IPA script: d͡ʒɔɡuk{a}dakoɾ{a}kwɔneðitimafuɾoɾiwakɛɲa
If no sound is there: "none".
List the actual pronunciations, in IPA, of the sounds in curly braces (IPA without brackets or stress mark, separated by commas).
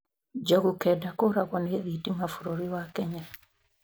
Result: ɛ, a